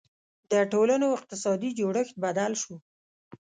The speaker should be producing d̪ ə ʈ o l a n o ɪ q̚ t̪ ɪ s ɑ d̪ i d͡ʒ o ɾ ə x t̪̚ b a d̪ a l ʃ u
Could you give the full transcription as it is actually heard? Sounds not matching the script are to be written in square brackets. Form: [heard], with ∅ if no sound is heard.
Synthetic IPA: d̪ ə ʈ o l a n o ɪ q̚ t̪ ɪ s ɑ d̪ i d͡ʒ o [ɽ] ə x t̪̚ b a d̪ a l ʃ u